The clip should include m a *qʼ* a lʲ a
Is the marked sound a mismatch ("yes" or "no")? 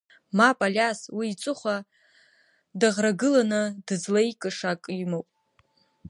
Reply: yes